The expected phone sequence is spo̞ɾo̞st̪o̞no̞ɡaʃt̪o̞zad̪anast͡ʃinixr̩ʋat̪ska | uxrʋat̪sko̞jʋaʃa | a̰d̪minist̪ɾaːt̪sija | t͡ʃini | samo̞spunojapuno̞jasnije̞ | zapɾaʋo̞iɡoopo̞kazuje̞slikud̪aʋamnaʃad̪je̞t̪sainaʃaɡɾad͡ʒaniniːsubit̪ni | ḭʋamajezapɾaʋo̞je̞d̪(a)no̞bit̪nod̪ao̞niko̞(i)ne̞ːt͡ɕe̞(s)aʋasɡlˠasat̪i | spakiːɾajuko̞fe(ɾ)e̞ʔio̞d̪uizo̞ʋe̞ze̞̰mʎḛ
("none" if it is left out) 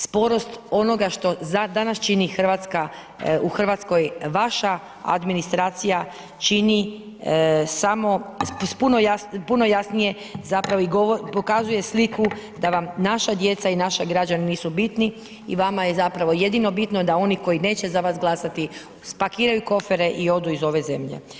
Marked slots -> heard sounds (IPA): i, i, z, ɾ

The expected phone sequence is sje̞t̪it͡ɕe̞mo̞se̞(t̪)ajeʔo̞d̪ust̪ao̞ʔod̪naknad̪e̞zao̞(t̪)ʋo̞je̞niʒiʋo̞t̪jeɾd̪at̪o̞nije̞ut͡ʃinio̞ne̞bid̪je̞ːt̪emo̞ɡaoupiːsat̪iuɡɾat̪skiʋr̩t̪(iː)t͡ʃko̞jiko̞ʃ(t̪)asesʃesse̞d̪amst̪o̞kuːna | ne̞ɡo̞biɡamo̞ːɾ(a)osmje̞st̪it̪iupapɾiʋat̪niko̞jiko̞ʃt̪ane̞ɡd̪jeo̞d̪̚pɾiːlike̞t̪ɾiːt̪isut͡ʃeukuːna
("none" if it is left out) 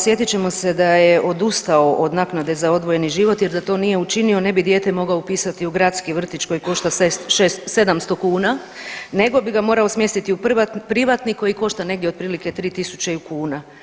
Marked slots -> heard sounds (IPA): d̪, d̪, i, t̪, a

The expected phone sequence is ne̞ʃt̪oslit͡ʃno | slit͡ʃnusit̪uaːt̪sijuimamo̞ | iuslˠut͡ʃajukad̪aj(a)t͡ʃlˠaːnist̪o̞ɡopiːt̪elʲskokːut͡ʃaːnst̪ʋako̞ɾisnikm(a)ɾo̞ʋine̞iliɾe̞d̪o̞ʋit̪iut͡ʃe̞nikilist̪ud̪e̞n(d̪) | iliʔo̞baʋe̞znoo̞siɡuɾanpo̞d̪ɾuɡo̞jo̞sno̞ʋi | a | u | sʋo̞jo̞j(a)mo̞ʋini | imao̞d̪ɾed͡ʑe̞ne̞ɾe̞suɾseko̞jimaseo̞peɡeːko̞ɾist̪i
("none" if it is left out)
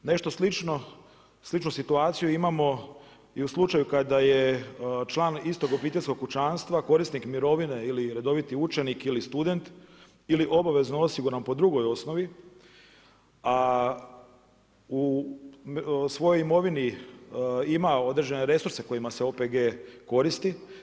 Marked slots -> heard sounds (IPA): e, i, t̪, i

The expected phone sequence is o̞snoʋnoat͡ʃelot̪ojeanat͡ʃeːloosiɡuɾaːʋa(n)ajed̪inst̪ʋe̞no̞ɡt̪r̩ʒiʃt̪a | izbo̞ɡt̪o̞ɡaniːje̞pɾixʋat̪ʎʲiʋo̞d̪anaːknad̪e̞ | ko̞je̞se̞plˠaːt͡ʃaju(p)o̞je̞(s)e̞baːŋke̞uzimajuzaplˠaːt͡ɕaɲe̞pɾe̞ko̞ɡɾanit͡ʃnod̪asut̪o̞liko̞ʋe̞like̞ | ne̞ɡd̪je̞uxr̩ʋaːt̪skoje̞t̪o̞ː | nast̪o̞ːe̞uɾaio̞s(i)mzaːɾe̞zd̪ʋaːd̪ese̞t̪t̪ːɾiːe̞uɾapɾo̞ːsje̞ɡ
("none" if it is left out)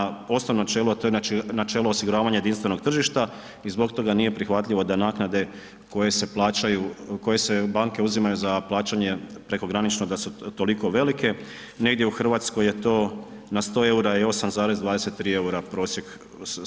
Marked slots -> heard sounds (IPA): ɲ, k, s, a

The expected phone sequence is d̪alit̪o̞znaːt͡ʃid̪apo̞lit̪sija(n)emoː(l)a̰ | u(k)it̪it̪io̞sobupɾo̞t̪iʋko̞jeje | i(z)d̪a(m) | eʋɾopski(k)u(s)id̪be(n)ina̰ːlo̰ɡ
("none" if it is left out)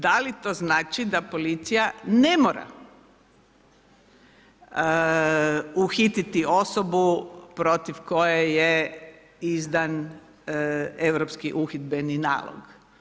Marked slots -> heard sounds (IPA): n, ɾ, x, z, n, ʔ, x, n

